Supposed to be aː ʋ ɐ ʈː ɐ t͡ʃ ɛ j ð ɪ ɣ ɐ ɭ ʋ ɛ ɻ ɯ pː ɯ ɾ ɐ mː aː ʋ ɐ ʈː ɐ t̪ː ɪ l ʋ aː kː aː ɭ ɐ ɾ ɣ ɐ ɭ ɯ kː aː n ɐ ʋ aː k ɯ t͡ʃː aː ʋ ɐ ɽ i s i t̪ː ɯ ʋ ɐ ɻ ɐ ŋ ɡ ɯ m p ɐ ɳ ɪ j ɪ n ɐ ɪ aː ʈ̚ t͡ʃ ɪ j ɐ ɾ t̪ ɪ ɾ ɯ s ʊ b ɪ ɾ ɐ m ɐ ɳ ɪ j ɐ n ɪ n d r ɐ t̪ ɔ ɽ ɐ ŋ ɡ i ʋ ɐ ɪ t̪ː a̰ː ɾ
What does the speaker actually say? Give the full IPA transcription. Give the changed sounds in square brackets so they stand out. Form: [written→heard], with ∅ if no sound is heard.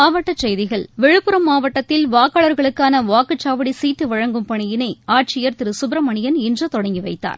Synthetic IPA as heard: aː ʋ ɐ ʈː ɐ t͡ʃ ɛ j ð ɪ ɣ ɐ ɭ ʋ ɛ ɻ ɯ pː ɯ ɾ ɐ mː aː ʋ ɐ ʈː ɐ t̪ː ɪ l ʋ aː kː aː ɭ ɐ ɾ ɣ ɐ ɭ ɯ kː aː n ɐ ʋ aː k ɯ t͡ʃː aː ʋ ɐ ɽ i s [i→iː] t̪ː ɯ ʋ ɐ ɻ ɐ ŋ ɡ ɯ m p ɐ ɳ ɪ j ɪ n ɐ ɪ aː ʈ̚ t͡ʃ ɪ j ɐ ɾ t̪ ɪ ɾ ɯ s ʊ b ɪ ɾ ɐ m ɐ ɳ ɪ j ɐ n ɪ n d r ɐ t̪ ɔ ɽ ɐ ŋ ɡ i ʋ ɐ ɪ t̪ː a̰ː ɾ

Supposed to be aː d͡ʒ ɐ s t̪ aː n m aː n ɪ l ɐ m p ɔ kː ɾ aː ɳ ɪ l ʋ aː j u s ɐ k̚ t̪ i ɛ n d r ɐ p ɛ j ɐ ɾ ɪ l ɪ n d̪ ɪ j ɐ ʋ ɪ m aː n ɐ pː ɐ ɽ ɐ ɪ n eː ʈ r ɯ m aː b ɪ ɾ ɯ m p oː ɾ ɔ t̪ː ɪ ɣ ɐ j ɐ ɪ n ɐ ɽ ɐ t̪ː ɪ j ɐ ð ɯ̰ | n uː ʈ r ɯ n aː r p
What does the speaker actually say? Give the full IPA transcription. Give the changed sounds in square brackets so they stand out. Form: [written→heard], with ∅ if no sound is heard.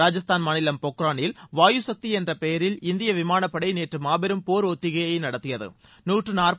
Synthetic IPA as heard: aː d͡ʒ ɐ s t̪ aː n m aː n ɪ l ɐ m p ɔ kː ɾ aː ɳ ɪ l ʋ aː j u s ɐ k̚ t̪ i ɛ n d r ɐ p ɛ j ɐ ɾ ɪ l ɪ n d̪ ɪ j ɐ ʋ ɪ m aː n ɐ pː ɐ ɽ ɐ ɪ n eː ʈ r ɯ m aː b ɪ ɾ ɯ m p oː ɾ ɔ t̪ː ɪ ɣ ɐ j ɐ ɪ n ɐ ɽ ɐ t̪ː ɪ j ɐ ð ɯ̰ | n uː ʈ r ɯ n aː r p

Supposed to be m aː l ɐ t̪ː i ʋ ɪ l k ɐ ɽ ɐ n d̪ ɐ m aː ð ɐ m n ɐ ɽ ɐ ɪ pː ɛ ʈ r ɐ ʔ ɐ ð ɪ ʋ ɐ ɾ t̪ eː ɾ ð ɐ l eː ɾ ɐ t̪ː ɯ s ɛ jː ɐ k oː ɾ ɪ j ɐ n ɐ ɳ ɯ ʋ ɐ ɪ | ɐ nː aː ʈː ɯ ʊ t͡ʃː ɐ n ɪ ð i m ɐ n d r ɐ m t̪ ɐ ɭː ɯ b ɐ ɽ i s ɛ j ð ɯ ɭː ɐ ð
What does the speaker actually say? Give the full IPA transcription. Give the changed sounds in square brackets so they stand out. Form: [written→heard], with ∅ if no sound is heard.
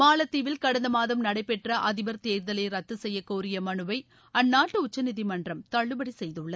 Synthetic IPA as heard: m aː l ɐ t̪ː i ʋ ɪ l k ɐ ɽ ɐ n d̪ ɐ m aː ð ɐ m n ɐ ɽ ɐ ɪ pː ɛ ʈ r ɐ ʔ ɐ ð ɪ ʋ ɐ ɾ t̪ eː ɾ ð ɐ l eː ɾ ɐ t̪ː ɯ s ɛ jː ɐ k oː ɾ ɪ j ɐ [n→m] ɐ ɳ ɯ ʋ ɐ ɪ | ɐ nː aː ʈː ɯ ʊ t͡ʃː ɐ n ɪ ð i m ɐ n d r ɐ m t̪ ɐ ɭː ɯ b ɐ ɽ i s ɛ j ð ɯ ɭː ɐ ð

